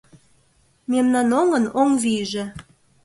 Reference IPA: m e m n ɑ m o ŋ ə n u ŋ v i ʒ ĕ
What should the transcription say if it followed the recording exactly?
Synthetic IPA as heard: m e m n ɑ n o ŋ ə n o ŋ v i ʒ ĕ